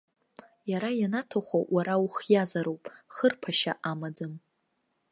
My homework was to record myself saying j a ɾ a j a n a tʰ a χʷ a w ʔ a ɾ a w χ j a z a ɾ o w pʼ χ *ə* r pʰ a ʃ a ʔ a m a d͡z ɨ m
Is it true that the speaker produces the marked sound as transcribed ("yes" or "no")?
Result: yes